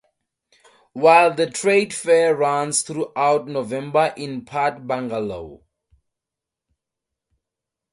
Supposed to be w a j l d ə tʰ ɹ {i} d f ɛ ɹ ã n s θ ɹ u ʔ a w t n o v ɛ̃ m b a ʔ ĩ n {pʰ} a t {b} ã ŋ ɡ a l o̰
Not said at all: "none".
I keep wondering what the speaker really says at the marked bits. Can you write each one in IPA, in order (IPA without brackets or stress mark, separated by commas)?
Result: e, pʰ, b